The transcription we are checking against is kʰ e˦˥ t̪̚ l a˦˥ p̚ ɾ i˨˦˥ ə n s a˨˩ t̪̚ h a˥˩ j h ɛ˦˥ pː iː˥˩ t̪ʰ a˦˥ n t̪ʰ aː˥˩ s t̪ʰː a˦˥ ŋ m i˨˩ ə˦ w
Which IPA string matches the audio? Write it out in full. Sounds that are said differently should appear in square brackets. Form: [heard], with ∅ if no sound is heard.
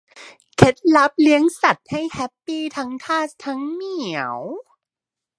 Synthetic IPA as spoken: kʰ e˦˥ t̪̚ l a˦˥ p̚ [l] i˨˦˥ ə [ŋ] s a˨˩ t̪̚ h a˥˩ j h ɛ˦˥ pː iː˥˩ t̪ʰ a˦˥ [ŋ] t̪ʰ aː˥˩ s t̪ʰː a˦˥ ŋ m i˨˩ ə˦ w